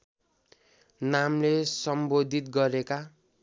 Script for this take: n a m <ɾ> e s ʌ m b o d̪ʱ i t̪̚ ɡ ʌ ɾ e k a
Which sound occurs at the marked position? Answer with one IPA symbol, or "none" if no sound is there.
l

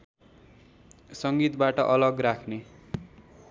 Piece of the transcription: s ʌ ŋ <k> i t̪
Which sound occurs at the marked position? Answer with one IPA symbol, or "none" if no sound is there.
ɡ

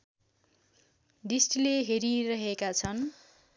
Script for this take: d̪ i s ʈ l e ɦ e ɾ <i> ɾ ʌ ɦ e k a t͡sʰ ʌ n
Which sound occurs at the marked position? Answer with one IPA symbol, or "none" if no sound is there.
i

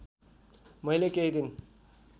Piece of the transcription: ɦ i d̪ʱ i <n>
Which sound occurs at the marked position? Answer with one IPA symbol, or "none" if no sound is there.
n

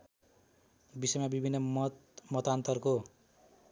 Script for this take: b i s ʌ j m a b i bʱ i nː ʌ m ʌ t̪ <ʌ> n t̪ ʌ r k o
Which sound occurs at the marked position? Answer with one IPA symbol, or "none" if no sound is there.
a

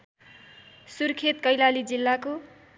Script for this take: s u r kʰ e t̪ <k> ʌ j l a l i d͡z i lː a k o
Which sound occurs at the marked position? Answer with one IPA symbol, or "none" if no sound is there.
k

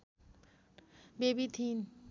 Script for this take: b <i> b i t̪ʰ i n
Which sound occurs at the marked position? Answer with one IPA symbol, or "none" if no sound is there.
e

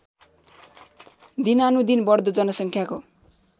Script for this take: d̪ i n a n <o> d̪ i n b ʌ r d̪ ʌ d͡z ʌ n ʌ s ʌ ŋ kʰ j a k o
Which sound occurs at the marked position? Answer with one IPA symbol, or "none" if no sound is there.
u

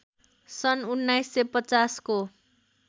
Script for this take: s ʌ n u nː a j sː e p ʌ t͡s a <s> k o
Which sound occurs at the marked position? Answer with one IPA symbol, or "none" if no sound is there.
s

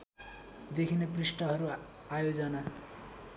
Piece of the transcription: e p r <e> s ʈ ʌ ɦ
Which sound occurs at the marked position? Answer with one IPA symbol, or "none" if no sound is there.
i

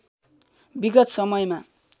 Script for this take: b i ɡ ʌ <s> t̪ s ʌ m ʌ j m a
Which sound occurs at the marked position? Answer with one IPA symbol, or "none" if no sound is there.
none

